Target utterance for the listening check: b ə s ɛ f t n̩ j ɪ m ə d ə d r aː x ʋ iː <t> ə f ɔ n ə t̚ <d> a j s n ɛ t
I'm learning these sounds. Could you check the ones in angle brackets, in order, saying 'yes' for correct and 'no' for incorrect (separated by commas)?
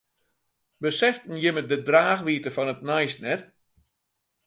yes, no